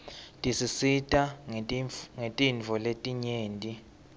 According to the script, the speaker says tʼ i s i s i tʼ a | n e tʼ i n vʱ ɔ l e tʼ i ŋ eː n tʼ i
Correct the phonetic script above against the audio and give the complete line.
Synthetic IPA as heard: tʼ i s i s i tʼ a | ŋ e tʼ i n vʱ ɔ l e tʼ i ɲ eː n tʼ i